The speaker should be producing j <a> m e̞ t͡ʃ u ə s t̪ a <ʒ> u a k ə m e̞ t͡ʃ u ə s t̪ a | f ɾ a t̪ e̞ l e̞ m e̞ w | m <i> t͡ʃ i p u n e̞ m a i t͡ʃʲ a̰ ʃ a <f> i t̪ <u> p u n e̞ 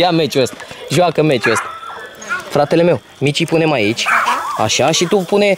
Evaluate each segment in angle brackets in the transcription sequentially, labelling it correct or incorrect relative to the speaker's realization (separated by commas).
correct, correct, correct, incorrect, correct